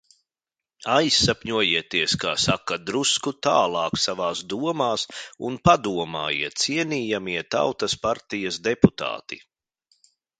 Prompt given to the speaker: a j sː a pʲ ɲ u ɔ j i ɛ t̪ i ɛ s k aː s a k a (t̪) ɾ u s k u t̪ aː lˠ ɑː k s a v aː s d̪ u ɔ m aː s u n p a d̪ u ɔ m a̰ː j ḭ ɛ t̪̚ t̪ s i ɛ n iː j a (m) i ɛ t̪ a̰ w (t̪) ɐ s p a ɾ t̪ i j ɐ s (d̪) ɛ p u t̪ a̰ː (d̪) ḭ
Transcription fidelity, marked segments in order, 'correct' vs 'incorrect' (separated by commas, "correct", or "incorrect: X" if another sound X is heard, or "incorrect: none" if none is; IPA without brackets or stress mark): incorrect: d̪, correct, correct, correct, incorrect: t̪